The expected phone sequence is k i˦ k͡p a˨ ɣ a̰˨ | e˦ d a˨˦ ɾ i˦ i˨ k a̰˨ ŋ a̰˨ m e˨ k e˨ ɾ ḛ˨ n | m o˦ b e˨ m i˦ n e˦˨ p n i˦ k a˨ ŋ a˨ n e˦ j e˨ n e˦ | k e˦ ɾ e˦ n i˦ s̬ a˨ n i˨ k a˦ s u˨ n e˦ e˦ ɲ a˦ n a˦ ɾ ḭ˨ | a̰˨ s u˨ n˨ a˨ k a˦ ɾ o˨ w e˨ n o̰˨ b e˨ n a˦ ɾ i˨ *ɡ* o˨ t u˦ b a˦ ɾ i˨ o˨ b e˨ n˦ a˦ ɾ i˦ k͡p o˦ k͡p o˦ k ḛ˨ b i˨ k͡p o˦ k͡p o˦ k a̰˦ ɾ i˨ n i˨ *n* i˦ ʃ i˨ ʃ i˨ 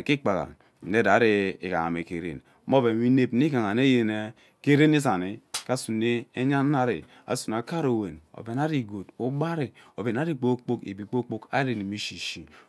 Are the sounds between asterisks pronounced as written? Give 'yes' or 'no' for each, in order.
yes, no

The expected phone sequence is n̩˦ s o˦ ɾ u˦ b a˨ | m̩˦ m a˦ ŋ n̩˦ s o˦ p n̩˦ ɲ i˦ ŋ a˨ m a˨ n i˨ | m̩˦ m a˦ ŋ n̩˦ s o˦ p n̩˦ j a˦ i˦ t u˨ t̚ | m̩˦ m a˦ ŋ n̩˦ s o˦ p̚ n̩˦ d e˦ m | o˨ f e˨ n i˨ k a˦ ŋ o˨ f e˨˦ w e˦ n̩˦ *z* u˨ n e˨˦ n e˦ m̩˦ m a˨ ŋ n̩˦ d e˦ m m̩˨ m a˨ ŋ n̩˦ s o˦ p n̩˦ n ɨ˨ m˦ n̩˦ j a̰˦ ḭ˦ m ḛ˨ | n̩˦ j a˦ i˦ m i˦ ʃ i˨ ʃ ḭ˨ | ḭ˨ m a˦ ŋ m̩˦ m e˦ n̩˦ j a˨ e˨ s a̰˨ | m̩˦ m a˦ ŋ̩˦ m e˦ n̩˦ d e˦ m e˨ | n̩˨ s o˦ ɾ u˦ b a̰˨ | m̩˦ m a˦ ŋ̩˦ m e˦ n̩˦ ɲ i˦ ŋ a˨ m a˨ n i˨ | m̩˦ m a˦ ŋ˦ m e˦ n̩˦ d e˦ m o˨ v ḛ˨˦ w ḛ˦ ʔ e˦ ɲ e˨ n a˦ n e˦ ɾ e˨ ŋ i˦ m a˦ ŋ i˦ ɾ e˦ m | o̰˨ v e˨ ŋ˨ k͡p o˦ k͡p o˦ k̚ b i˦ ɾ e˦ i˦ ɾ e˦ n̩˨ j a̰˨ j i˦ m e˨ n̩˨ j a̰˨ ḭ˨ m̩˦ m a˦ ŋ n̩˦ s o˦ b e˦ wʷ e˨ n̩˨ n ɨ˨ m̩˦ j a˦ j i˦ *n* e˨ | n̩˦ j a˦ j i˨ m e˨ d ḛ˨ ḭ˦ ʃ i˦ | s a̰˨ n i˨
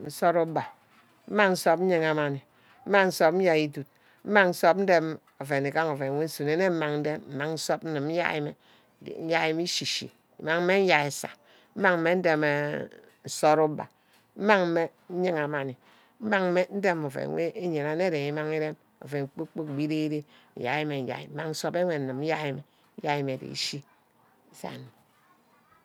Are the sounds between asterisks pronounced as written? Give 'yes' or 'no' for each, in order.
no, no

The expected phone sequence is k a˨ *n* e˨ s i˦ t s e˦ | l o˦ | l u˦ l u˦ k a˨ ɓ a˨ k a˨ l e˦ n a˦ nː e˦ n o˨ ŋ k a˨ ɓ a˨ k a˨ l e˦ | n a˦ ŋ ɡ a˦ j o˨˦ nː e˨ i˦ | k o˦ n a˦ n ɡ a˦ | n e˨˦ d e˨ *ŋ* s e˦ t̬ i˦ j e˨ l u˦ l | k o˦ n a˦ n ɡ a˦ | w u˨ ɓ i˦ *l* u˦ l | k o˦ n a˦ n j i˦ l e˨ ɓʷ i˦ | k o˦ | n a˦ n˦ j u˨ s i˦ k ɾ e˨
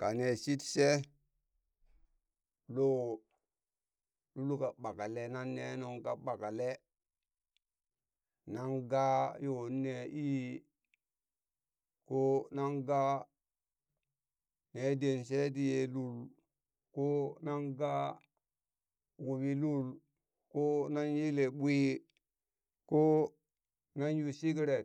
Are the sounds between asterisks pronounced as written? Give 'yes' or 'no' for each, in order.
yes, no, yes

